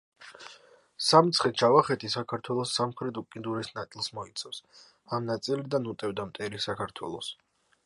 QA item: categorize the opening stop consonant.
plain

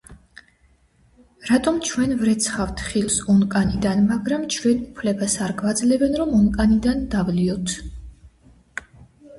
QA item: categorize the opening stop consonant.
ejective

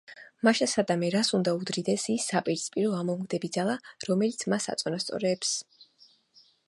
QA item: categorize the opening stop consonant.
plain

